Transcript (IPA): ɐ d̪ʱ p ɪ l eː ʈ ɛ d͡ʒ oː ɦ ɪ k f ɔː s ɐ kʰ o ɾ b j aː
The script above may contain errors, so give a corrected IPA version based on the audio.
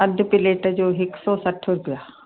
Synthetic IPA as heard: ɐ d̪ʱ p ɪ l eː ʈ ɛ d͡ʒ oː ɦ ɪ k s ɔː s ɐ ʈʰ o ɾ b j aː